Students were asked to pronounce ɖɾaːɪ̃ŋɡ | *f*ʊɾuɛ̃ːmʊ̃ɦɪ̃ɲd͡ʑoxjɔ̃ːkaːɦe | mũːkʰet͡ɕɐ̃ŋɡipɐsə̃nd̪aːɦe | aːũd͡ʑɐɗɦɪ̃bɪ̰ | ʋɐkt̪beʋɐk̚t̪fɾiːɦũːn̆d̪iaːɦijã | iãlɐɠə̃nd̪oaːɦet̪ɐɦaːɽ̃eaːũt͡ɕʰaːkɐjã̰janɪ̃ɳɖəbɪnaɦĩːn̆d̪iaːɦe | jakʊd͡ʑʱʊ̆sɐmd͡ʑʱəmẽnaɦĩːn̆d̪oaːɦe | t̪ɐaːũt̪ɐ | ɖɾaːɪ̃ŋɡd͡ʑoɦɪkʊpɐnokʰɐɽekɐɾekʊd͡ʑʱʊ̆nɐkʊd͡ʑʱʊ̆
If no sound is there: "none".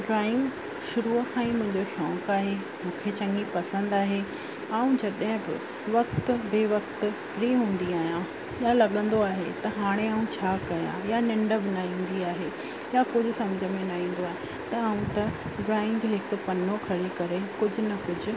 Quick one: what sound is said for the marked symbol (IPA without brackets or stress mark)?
ʃ